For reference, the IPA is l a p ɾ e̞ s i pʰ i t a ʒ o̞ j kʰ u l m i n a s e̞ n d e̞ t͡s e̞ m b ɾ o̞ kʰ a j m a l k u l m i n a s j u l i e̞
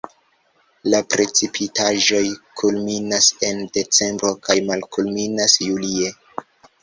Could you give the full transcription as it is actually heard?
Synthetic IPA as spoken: l a p ɾ e̞ t͡s i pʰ i t a ʒ o̞ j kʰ u l m i n a s e̞ n d e̞ t͡s e̞ m b ɾ o̞ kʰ a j m a l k u l m i n a s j u l i e̞